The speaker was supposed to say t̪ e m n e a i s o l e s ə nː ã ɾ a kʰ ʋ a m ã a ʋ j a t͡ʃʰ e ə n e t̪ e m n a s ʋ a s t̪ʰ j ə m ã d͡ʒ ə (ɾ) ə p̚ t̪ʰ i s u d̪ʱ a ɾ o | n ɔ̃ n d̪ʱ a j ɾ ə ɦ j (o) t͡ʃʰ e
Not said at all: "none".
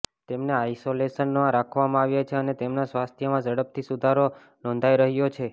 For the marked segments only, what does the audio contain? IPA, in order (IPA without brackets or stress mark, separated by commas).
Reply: ɽ, o